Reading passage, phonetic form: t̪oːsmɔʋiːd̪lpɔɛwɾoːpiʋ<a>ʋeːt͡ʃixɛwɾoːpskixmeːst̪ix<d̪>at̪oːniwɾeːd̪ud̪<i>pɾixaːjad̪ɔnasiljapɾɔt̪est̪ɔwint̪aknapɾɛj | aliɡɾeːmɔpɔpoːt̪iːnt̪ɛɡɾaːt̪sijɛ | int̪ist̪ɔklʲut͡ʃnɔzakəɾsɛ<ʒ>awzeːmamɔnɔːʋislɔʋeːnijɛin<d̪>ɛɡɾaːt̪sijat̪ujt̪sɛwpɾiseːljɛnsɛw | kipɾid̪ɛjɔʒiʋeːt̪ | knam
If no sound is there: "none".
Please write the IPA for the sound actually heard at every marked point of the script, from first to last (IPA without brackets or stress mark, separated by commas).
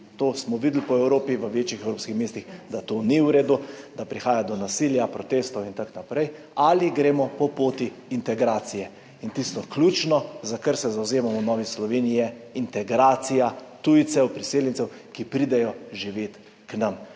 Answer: ə, d̪, a, z, t̪